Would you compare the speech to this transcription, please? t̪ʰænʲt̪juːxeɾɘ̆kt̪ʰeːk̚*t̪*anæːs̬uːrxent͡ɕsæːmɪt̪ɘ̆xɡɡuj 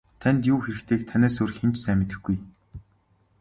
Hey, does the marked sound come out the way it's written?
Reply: no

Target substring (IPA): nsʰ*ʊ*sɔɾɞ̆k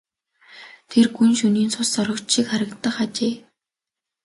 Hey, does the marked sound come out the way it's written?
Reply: yes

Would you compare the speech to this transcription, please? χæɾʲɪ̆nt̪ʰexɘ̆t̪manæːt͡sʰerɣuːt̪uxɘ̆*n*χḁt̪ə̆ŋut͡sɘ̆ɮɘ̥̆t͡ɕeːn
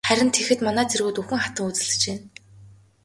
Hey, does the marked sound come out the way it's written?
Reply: no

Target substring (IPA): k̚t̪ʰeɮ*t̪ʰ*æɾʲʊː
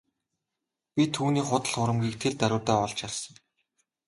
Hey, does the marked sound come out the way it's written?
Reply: no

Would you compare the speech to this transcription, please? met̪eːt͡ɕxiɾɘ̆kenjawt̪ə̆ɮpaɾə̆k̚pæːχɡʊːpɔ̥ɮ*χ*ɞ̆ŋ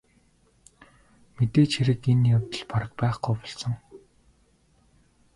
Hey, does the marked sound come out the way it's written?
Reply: no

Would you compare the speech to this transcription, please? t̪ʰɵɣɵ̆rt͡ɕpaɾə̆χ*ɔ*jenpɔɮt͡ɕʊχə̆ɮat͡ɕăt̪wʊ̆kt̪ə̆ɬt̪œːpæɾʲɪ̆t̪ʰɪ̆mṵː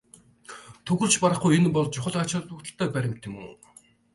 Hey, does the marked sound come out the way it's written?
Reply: no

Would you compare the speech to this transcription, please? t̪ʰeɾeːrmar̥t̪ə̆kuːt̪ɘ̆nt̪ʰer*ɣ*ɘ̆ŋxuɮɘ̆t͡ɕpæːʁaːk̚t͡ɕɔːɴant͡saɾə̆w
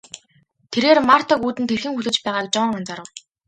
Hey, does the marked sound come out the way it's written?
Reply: no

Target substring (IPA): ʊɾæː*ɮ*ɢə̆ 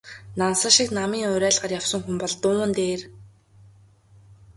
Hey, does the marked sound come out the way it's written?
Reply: yes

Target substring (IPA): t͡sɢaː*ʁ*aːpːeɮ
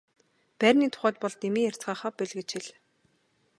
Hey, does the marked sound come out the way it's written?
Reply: no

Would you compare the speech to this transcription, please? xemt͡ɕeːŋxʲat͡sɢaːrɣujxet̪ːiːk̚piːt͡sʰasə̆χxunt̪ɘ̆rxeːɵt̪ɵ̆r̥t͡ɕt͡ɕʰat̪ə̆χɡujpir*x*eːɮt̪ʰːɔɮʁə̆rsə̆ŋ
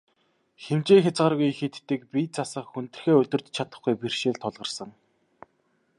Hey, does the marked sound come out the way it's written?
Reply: no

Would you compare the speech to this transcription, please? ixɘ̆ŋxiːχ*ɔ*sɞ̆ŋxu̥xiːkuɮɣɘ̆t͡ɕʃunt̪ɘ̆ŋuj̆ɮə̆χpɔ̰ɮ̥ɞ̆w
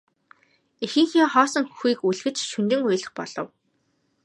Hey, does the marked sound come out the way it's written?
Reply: no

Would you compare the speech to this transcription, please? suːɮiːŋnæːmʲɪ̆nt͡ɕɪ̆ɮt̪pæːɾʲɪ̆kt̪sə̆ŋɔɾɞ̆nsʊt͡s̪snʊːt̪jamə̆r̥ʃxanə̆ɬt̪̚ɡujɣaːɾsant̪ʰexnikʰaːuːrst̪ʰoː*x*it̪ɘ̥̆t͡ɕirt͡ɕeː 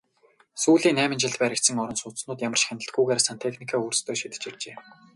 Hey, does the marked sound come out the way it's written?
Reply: no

